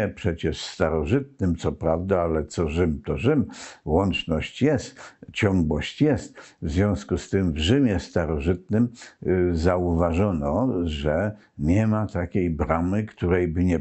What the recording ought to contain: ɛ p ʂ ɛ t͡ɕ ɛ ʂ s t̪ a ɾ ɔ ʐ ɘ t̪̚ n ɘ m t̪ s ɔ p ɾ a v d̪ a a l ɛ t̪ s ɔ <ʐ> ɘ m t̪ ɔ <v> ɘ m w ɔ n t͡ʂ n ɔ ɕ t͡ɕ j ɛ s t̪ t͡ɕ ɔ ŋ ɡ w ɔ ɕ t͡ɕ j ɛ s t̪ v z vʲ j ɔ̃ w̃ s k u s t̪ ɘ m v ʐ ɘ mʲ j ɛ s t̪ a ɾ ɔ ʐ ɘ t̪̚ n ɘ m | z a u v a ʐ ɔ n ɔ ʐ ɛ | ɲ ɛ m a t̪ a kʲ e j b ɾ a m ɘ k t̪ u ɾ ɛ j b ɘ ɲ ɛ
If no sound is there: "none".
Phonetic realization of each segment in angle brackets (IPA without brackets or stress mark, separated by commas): ʐ, ʐ